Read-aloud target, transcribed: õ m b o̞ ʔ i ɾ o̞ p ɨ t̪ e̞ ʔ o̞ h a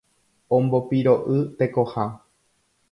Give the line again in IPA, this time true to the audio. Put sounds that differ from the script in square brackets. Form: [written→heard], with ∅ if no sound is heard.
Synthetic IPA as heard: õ m b o̞ [ʔ→p] i ɾ o̞ [p→ʔ] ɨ t̪ e̞ [ʔ→k] o̞ h a